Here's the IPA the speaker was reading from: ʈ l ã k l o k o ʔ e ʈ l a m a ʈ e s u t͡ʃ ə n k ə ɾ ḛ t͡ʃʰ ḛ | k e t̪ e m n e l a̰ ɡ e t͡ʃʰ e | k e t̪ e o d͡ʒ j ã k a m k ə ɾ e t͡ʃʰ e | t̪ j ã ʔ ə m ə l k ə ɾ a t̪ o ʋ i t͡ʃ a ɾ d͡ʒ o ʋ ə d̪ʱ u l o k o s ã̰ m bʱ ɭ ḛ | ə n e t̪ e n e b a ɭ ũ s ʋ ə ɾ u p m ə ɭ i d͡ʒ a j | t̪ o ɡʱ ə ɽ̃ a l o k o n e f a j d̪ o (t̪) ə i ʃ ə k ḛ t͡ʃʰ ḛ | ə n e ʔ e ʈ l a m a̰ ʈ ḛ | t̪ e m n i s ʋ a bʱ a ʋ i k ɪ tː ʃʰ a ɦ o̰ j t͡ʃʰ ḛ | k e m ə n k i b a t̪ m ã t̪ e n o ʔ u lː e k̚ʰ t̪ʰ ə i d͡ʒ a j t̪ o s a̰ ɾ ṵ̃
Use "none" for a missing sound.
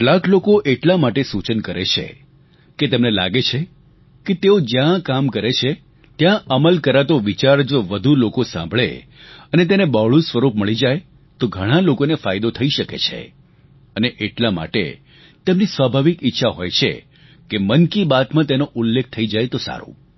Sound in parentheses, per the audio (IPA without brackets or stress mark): t̪ʰ